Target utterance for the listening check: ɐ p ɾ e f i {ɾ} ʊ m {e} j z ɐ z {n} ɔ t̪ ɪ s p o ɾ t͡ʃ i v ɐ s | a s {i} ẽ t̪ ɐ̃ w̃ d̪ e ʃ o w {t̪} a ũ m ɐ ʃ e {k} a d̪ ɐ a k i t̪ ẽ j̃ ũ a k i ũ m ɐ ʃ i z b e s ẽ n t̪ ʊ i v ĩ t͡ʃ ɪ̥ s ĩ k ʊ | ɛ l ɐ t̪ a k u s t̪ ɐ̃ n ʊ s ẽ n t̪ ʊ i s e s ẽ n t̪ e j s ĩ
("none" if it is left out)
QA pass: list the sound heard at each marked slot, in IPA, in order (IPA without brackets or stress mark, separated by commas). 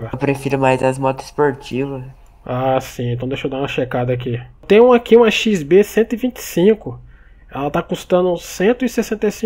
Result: ɾ, a, m, ĩ, d̪, k